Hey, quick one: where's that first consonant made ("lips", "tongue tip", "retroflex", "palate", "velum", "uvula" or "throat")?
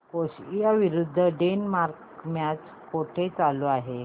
velum